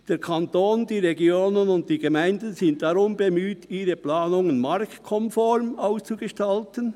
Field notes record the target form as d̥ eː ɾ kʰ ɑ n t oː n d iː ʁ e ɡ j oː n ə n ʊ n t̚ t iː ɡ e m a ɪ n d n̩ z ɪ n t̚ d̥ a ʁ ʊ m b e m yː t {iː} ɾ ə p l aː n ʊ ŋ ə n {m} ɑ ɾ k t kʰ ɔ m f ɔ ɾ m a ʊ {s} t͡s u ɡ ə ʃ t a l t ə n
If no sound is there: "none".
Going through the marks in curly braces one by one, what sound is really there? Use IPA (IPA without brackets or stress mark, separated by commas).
iː, m, s